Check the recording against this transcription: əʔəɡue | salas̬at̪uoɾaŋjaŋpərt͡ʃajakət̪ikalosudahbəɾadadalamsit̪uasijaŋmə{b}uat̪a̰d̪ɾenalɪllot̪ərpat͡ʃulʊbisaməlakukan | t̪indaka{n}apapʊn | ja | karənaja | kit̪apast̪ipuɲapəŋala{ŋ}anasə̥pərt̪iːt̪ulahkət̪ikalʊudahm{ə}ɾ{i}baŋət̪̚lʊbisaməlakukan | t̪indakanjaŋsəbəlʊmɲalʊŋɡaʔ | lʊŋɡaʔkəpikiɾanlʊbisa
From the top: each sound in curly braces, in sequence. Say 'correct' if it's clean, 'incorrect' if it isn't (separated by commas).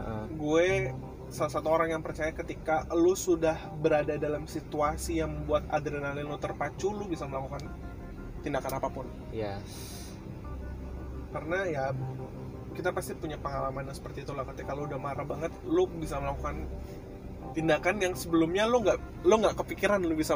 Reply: correct, correct, incorrect, incorrect, incorrect